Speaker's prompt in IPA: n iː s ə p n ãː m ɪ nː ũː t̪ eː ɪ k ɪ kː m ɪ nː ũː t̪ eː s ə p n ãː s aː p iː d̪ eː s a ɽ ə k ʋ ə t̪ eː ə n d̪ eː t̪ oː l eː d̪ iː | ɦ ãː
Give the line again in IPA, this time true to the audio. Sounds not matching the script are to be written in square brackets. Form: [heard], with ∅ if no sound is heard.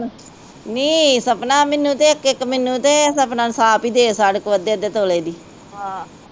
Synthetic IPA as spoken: n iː s ə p n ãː m ɪ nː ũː t̪ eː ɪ k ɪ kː m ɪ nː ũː t̪ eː s ə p n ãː s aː p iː d̪ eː s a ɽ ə k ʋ ə [d̪] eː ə [∅] d̪ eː t̪ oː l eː d̪ iː | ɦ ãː